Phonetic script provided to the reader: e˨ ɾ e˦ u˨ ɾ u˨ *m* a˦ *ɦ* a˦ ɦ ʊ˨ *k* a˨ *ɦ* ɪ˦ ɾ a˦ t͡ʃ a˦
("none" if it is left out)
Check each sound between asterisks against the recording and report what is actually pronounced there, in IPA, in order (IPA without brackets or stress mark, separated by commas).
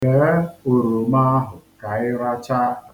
m, none, k, none